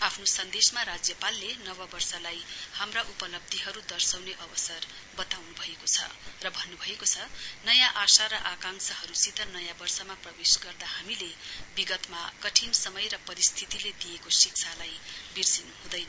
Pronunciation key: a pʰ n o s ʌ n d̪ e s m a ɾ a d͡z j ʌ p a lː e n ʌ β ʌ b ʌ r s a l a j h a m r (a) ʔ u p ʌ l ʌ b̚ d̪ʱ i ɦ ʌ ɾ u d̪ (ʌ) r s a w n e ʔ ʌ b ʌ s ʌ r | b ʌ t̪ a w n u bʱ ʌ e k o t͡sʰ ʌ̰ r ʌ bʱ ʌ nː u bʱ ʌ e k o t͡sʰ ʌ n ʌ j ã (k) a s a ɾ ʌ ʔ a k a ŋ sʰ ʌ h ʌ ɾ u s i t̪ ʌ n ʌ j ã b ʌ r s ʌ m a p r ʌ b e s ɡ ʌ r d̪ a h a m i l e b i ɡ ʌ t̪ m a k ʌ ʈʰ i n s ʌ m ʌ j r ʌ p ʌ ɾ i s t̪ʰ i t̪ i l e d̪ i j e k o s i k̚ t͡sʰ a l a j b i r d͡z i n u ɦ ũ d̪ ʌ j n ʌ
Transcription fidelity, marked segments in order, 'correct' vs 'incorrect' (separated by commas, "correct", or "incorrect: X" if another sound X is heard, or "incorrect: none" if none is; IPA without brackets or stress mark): correct, correct, incorrect: ʔ